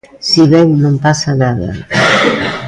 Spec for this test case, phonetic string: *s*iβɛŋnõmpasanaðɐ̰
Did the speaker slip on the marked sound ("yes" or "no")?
no